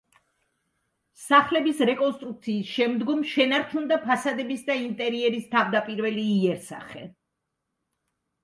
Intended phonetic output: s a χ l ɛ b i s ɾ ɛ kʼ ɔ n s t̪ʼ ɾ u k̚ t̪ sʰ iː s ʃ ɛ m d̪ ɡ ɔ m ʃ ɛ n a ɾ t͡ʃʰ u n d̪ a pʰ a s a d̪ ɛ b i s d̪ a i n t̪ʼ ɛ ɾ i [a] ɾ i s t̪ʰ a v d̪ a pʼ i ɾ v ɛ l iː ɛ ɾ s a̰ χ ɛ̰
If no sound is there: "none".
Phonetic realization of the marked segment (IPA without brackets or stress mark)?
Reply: ɛ